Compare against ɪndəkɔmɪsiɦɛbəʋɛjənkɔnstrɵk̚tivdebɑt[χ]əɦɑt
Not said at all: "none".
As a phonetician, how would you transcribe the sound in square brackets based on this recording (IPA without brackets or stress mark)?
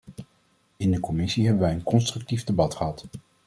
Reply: χ